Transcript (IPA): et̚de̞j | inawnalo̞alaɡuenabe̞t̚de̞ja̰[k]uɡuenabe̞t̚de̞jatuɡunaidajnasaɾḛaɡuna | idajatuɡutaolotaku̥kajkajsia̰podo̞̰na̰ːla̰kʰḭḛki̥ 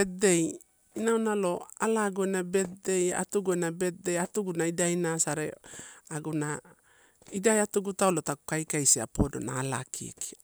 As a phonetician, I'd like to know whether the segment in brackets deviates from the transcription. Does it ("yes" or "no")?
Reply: yes